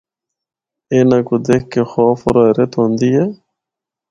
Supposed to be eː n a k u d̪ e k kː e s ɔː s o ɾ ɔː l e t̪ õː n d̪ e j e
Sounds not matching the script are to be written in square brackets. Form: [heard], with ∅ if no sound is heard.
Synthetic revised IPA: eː n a k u d̪ e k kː e [x] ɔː [f] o ɾ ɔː [ɾ] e t̪ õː n d̪ [i] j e

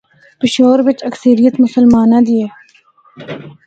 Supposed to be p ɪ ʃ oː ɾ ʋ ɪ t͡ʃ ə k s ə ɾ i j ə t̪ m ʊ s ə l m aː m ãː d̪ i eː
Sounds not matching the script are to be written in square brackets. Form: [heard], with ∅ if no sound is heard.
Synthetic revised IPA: p ɪ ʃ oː ɾ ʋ ɪ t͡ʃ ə k s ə ɾ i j ə t̪ m ʊ s ə l m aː [n] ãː d̪ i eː

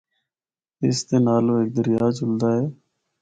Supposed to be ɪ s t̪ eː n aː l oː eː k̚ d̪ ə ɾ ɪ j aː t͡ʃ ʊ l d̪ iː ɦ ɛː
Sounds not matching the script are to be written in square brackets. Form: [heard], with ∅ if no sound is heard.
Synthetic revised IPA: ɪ s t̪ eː n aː l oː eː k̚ d̪ ə ɾ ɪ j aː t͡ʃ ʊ l d̪ [aː] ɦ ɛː

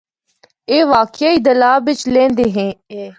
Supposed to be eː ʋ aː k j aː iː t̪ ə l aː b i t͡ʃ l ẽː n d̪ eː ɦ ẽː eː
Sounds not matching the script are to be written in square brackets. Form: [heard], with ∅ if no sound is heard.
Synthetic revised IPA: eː ʋ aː k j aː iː [d̪] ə l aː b [ɪ] t͡ʃ l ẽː n d̪ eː ɦ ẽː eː

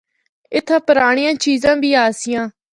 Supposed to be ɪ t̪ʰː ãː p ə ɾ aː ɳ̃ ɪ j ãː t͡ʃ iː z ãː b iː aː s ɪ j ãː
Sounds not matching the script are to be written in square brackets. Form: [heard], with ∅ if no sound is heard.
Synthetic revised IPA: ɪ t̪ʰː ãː p ə ɾ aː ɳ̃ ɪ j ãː t͡ʃ iː z ãː b iː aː s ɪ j ãː

